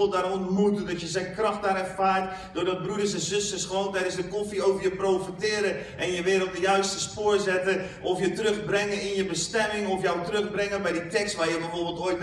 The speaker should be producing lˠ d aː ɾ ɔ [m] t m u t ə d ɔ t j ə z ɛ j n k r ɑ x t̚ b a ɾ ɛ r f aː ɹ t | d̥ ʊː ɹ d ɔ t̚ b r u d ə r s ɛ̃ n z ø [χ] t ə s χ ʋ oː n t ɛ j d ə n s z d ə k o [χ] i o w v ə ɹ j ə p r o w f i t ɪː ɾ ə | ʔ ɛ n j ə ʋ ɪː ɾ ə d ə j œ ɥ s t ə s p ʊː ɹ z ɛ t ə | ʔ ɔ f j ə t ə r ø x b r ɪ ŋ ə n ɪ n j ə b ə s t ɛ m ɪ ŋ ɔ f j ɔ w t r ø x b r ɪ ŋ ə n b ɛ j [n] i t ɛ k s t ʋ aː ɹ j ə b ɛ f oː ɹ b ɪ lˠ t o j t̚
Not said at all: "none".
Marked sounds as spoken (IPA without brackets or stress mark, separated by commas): n, s, f, d